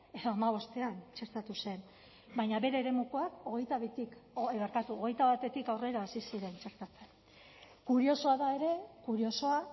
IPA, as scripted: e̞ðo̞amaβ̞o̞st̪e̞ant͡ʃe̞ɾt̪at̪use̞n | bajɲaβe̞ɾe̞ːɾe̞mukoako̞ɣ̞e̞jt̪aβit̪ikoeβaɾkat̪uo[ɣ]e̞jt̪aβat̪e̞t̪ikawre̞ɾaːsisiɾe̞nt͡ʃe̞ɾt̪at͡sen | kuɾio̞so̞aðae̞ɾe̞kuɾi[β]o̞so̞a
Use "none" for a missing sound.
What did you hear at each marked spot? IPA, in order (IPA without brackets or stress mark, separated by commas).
ɣ, none